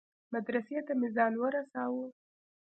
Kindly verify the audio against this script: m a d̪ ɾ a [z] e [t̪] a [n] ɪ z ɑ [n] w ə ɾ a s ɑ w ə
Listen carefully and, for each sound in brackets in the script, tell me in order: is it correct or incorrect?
incorrect, correct, incorrect, correct

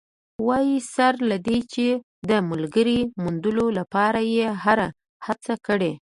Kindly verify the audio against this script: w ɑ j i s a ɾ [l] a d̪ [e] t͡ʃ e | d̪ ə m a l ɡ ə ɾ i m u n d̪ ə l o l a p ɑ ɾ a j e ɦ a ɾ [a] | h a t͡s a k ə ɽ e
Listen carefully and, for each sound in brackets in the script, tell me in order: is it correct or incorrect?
correct, correct, correct

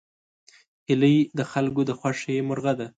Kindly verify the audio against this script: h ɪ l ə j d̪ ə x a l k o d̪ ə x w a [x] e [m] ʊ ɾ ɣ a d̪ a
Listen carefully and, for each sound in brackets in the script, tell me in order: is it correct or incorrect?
incorrect, correct

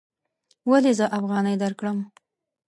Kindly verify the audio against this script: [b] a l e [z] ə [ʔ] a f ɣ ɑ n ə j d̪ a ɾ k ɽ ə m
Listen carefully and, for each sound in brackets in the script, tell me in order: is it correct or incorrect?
incorrect, correct, correct

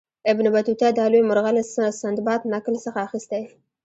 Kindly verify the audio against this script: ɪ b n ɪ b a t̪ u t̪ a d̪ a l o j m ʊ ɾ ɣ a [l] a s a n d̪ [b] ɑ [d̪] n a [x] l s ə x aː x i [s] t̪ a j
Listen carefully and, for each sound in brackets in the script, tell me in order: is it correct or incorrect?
correct, correct, incorrect, incorrect, correct

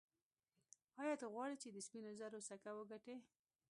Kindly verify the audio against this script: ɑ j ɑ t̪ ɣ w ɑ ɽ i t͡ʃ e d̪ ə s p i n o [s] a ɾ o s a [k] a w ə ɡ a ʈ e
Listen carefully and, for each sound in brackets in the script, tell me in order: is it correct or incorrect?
incorrect, correct

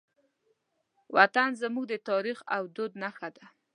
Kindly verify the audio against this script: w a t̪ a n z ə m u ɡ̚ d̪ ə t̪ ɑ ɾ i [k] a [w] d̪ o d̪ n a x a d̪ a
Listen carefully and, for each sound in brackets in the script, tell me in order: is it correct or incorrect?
incorrect, correct

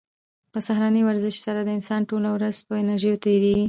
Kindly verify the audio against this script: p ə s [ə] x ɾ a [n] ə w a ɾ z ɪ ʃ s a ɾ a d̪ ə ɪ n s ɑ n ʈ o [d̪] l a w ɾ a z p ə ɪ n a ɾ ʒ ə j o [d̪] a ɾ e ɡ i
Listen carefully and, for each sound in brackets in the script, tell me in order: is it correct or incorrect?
incorrect, correct, incorrect, incorrect

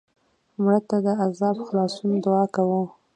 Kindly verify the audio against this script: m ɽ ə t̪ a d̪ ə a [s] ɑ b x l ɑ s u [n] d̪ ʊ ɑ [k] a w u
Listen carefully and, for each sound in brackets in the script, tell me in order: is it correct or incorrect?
incorrect, correct, correct

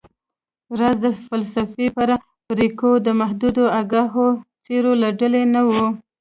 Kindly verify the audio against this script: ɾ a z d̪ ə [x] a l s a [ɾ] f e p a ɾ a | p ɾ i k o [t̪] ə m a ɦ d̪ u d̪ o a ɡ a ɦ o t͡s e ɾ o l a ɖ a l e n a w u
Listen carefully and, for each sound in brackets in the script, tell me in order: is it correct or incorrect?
incorrect, incorrect, incorrect

